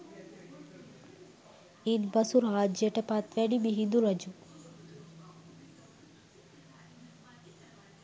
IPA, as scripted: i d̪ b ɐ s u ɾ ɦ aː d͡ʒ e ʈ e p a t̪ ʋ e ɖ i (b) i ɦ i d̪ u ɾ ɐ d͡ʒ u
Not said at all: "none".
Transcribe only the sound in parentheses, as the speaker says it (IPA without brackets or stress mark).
b